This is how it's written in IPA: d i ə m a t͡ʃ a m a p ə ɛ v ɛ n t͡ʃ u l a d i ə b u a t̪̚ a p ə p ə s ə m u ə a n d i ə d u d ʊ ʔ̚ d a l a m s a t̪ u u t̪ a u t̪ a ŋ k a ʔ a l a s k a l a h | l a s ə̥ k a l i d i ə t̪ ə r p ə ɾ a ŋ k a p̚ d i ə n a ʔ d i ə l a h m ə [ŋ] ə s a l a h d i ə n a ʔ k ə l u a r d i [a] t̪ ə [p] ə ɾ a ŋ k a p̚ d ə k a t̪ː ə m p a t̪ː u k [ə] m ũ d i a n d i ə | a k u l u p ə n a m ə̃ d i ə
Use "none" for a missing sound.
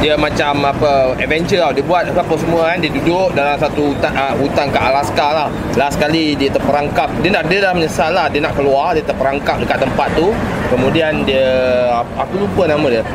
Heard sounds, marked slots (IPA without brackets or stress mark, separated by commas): ɲ, ə, p, ə